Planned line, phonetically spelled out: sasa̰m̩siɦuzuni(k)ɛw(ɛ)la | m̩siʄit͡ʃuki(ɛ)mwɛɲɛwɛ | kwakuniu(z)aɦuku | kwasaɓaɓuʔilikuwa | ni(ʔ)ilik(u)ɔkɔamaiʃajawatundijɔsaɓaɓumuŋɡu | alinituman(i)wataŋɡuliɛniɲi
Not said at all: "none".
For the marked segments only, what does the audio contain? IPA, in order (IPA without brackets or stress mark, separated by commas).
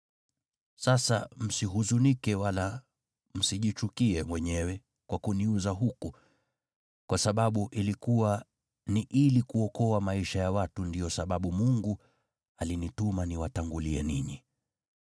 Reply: k, a, ɛ, z, ʔ, u, i